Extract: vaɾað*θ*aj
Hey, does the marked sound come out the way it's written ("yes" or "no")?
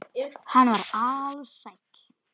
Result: no